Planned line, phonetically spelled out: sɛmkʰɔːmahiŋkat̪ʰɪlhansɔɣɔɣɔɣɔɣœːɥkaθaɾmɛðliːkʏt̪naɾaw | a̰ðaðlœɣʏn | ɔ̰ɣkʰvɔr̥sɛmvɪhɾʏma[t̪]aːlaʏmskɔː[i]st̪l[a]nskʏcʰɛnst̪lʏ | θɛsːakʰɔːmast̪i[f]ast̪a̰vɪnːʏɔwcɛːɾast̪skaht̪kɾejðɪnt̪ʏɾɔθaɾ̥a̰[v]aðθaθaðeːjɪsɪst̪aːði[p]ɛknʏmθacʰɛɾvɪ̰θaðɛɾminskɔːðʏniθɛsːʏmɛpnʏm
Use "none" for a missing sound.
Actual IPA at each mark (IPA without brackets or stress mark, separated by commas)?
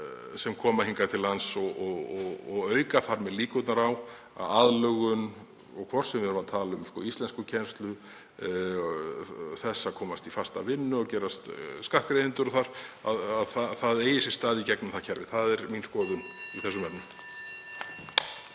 t̪ʰ, i, ɛ, f, ð, c